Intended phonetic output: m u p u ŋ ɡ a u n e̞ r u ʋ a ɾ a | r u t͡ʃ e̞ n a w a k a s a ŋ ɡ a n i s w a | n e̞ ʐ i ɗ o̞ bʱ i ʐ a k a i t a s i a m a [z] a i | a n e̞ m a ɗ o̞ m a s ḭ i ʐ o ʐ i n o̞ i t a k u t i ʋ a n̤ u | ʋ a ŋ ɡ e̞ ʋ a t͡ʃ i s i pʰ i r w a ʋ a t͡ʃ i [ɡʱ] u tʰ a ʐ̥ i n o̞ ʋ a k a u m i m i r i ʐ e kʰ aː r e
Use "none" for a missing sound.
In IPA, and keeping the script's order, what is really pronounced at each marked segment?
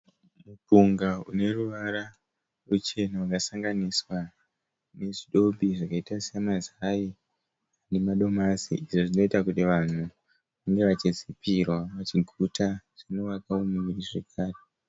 z, ɡʱ

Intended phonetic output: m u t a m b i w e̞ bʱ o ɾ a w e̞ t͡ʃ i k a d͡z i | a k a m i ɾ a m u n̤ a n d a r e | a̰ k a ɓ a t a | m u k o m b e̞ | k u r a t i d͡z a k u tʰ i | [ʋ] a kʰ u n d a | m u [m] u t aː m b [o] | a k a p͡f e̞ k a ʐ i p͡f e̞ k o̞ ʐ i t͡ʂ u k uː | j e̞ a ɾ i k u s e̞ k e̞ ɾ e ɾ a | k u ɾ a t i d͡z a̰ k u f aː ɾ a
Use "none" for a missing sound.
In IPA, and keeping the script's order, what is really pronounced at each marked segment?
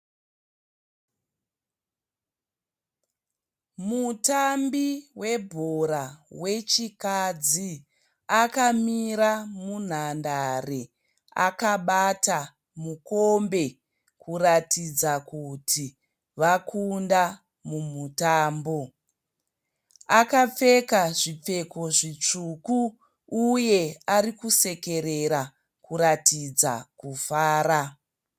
ʋ, m, o

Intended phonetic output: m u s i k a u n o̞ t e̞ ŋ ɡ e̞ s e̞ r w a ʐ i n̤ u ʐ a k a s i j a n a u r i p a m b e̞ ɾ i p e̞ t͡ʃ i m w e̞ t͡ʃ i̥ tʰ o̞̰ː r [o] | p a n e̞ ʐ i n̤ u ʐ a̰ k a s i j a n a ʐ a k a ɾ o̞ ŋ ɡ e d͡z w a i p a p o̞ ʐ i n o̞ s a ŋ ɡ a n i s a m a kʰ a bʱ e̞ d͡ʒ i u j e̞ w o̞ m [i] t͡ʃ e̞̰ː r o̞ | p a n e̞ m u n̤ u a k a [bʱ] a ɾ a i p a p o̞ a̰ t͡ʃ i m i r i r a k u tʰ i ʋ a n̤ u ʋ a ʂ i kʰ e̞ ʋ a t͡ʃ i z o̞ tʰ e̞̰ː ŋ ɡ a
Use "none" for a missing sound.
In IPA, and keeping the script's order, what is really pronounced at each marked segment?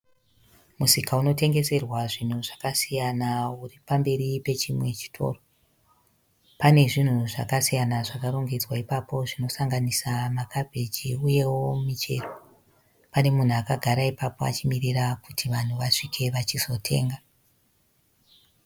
o, i, ɡʱ

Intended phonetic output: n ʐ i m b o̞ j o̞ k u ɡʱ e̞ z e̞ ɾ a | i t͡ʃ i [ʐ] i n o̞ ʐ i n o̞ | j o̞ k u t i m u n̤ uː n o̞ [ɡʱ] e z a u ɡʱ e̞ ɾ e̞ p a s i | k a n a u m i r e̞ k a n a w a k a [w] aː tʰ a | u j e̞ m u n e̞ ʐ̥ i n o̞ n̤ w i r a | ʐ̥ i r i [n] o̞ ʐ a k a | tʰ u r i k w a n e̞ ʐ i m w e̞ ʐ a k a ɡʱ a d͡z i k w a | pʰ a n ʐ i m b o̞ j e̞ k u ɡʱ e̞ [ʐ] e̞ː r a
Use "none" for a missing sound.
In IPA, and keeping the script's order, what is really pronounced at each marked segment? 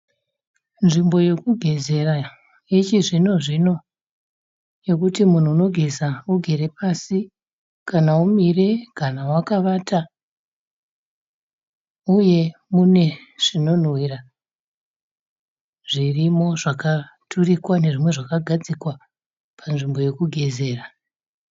ʐ, ɡʱ, ʋ, m, z

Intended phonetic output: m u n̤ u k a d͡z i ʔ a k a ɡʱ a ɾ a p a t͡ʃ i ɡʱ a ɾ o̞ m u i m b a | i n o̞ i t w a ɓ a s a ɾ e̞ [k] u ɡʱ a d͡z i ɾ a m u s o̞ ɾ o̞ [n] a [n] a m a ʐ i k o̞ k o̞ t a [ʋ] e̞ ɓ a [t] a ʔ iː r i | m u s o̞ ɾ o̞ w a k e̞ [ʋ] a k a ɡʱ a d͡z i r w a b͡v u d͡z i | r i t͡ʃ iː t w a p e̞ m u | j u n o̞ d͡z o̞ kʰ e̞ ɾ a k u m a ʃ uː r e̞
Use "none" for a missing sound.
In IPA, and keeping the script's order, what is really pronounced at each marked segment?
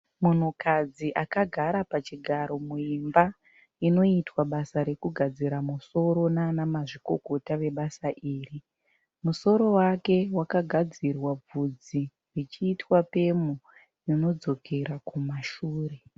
k, n, n, ʋ, s, w

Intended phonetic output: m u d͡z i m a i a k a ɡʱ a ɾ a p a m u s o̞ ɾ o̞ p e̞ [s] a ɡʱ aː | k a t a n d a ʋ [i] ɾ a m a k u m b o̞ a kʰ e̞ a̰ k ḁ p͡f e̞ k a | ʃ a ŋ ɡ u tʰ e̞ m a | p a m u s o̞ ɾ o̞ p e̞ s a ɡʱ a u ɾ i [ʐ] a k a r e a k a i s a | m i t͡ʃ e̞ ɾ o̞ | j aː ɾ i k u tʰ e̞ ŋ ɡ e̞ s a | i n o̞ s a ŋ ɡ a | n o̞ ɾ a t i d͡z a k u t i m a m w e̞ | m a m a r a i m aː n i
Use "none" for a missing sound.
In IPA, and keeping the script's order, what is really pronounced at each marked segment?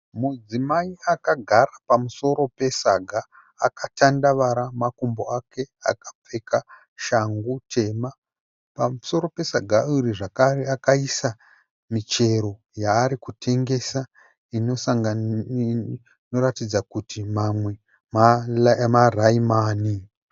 s, a, ʐ

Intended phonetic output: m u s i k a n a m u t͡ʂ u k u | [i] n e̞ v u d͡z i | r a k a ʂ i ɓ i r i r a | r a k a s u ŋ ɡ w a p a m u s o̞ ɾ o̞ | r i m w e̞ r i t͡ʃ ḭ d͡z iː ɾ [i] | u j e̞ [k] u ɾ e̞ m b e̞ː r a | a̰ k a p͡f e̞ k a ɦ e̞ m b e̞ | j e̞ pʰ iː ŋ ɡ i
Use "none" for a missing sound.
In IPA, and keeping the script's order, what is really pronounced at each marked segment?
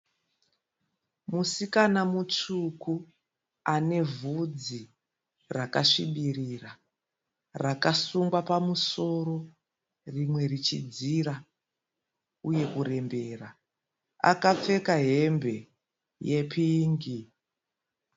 a, a, k

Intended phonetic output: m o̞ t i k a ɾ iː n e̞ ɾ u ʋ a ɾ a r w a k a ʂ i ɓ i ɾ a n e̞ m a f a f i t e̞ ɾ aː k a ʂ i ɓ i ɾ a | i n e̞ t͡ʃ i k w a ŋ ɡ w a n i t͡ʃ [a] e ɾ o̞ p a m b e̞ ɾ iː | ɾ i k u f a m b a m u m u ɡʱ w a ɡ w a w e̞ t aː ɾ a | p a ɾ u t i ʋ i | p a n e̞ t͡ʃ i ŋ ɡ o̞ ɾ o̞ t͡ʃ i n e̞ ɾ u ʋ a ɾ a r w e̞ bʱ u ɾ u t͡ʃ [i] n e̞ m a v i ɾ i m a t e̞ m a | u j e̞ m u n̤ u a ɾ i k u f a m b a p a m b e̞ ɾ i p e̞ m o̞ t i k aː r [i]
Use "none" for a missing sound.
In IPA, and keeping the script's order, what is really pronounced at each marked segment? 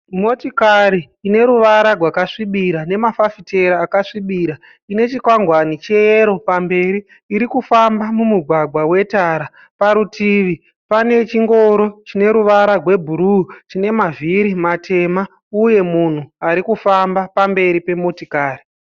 e, i, i

